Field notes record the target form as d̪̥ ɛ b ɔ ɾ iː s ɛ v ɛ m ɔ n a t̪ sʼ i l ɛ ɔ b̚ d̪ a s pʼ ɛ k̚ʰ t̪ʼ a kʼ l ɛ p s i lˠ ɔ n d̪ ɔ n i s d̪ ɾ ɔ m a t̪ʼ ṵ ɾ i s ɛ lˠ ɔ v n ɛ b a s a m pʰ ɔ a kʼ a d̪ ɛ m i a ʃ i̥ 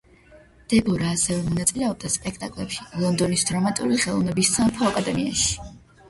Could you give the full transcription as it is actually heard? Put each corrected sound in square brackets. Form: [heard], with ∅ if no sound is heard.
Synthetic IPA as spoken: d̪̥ ɛ b ɔ ɾ [aː] s ɛ v ɛ m ɔ n a t̪ sʼ i l ɛ ɔ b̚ d̪ a s pʼ ɛ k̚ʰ t̪ʼ a kʼ l ɛ p [ʃ] i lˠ ɔ n d̪ ɔ n i s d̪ ɾ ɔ m a t̪ʼ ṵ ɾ i [χ] ɛ lˠ ɔ v n ɛ b [i] s a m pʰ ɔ a kʼ a d̪ ɛ m i a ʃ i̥